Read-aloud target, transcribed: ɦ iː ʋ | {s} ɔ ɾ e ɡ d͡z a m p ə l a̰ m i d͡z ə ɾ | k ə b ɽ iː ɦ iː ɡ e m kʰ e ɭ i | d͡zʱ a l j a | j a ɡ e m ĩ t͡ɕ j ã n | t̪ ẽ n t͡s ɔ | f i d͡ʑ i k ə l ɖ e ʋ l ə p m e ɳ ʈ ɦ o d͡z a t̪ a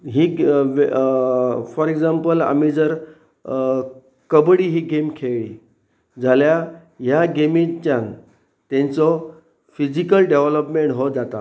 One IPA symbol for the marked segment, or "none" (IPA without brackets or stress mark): f